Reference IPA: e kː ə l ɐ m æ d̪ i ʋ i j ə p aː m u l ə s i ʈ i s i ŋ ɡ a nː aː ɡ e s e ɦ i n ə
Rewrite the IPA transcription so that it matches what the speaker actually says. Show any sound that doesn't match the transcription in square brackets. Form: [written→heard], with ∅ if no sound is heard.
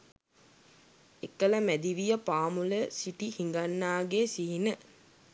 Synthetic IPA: e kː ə l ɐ m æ d̪ i ʋ i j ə p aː m u l ə s i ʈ i [s→h] i ŋ ɡ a nː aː ɡ e s [e→i] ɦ i n ə